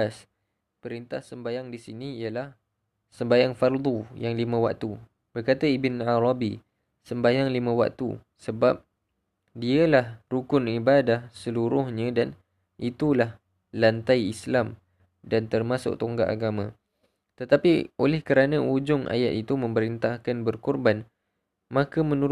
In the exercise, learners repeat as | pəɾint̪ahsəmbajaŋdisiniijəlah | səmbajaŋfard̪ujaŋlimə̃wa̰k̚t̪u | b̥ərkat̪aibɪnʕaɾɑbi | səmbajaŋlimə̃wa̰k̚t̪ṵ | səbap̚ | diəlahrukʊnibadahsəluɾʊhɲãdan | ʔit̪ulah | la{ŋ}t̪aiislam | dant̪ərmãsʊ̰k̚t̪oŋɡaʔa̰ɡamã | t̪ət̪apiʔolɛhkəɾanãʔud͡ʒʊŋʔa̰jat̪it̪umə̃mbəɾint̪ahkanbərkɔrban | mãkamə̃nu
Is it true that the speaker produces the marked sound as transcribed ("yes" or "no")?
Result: no